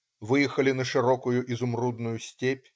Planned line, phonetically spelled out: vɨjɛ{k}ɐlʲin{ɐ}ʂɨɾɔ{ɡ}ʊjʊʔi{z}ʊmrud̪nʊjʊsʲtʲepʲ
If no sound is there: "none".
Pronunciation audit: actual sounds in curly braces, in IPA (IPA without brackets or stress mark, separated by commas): x, ɐ, k, z